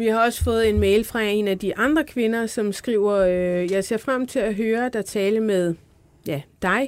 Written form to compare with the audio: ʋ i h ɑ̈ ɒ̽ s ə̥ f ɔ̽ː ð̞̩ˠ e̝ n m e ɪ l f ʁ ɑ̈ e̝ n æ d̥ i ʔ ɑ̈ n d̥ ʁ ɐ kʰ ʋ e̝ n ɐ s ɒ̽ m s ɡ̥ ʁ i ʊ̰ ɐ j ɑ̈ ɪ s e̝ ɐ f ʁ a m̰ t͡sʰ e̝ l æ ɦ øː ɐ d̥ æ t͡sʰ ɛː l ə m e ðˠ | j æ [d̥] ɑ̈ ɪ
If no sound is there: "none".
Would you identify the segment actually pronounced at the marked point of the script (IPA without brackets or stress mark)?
d̥